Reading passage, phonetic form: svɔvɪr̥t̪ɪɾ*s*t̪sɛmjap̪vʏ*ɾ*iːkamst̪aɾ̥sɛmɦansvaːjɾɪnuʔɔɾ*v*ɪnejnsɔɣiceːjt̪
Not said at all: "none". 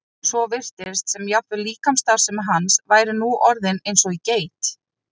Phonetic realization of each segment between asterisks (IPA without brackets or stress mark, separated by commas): s, l, ð